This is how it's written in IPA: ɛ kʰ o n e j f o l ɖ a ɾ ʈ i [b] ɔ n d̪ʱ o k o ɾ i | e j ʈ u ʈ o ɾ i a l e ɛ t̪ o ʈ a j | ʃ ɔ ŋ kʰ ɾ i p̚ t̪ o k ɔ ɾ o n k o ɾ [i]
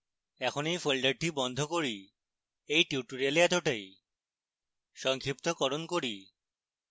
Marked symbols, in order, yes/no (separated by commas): yes, yes